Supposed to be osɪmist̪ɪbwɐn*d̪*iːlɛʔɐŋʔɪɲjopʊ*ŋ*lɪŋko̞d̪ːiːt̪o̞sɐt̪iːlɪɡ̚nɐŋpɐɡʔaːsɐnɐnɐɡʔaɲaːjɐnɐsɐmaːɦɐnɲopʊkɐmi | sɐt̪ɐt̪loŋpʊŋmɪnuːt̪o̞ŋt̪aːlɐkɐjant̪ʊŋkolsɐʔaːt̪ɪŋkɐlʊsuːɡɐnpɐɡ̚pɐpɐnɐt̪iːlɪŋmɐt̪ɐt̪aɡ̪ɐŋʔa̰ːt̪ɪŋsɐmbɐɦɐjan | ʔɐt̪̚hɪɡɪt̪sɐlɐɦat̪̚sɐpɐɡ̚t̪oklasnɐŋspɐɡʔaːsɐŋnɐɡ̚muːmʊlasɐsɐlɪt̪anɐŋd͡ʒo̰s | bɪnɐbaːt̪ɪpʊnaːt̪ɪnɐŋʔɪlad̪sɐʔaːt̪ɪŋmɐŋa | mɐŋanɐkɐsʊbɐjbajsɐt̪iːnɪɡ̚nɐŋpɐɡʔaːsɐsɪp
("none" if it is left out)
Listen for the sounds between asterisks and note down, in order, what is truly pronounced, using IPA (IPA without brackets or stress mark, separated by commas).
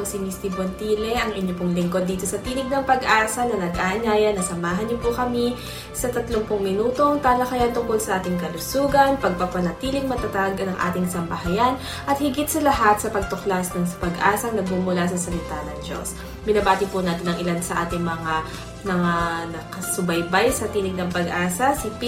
t̪, ŋ